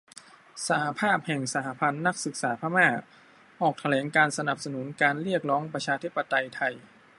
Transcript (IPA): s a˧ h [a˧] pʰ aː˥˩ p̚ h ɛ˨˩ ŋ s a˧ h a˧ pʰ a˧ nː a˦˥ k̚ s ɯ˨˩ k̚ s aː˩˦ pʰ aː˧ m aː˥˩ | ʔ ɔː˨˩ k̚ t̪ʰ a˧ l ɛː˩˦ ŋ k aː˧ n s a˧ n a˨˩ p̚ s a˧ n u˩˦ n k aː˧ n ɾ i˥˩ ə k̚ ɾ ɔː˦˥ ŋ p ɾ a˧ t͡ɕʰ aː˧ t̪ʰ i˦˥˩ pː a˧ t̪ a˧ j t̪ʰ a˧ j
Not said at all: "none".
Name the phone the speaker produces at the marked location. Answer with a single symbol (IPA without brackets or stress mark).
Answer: a˧